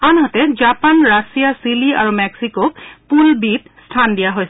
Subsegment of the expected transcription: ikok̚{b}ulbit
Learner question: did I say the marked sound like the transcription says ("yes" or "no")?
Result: no